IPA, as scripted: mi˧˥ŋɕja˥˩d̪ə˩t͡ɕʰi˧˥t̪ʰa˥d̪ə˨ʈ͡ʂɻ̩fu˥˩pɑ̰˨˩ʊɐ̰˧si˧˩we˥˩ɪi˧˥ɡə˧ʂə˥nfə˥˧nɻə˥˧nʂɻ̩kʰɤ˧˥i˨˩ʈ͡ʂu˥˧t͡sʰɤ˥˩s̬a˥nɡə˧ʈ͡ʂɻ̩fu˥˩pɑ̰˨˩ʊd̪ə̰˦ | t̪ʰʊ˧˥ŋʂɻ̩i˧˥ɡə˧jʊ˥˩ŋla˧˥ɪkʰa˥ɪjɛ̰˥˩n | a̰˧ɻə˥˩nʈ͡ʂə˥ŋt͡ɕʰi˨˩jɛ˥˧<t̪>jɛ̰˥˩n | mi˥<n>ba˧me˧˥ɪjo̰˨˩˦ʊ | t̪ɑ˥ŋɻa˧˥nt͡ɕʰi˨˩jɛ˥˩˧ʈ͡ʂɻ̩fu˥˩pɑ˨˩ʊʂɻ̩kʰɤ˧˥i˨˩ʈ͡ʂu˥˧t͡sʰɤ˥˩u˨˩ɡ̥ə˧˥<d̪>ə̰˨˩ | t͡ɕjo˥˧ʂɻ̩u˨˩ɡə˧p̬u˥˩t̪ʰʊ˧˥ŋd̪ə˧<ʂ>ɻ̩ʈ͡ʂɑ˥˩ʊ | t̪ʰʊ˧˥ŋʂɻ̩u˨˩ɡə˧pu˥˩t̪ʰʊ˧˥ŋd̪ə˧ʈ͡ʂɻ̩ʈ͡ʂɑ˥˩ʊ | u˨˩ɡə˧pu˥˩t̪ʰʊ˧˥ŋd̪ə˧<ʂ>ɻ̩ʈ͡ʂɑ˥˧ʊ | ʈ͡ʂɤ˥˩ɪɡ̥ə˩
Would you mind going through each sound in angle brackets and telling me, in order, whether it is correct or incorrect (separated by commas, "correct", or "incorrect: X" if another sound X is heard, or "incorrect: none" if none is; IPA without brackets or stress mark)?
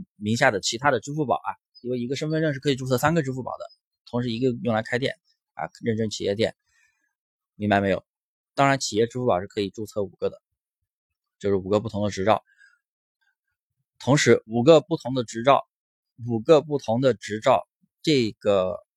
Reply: correct, incorrect: ŋ, correct, incorrect: ʈ͡ʂ, incorrect: ʈ͡ʂ